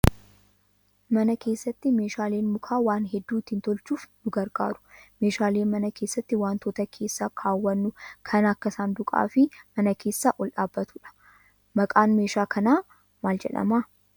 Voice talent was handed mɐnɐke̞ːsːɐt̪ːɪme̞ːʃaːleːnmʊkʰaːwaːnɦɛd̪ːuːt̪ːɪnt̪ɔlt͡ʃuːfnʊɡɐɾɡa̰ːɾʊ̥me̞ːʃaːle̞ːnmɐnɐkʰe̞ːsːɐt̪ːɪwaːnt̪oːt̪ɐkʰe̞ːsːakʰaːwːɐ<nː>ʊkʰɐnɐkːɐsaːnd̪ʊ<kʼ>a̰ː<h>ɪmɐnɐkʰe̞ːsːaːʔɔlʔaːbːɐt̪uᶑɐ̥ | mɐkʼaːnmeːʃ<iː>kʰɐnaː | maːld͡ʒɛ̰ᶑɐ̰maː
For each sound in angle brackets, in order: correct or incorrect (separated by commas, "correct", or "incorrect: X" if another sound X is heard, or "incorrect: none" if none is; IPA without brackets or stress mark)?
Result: correct, correct, incorrect: f, incorrect: aː